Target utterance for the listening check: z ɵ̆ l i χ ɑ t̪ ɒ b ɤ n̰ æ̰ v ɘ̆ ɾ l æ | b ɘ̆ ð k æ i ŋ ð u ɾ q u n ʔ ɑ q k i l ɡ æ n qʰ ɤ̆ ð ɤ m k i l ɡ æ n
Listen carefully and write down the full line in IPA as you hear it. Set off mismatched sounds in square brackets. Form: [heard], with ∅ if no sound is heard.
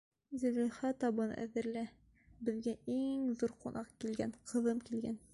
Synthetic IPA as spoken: z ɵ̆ l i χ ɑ t̪ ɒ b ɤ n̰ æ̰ [ð] ɘ̆ ɾ l æ | b ɘ̆ ð [ɡ] æ i ŋ ð u ɾ q u n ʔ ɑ q k i l ɡ æ n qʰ ɤ̆ ð ɤ m k i l ɡ æ n